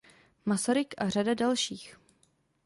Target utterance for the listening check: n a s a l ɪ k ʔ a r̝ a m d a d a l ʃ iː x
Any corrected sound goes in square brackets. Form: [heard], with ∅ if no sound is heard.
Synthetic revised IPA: [m] a s a [ɾ] ɪ k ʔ a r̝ a [∅] d a d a l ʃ iː x